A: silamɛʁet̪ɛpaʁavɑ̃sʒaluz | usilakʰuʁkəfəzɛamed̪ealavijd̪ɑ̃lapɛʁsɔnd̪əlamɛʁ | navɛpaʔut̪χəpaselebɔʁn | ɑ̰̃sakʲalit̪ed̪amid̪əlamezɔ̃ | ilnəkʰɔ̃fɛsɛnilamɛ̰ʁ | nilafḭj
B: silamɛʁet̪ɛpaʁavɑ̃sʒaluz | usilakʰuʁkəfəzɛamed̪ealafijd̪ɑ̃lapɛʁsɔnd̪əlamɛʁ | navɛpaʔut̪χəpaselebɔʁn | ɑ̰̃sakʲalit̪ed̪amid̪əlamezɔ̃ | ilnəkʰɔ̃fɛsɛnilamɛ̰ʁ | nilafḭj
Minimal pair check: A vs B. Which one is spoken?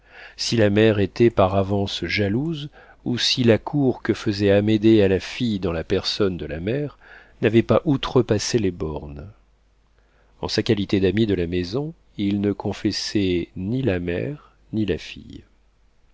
B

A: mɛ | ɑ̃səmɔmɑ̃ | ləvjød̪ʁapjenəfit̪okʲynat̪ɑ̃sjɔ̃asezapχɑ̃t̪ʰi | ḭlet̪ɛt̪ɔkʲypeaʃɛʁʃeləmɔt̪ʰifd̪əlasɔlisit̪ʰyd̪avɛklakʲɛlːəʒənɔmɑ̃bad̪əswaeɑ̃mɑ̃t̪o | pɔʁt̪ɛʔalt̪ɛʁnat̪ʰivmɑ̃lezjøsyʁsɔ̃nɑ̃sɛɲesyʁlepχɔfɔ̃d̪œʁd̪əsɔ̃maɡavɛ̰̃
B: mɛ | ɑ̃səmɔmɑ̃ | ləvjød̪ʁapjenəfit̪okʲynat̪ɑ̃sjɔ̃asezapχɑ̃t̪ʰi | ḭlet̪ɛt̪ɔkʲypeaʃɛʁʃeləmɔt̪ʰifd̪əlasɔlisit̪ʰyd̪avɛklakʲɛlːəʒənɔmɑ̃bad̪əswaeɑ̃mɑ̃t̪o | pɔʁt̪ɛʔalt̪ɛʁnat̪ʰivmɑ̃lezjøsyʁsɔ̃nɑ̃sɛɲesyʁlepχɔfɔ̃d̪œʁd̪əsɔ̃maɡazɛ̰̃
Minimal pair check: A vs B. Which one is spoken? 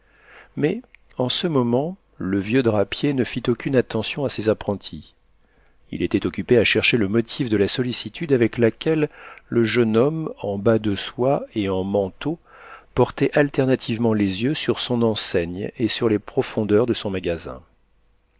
B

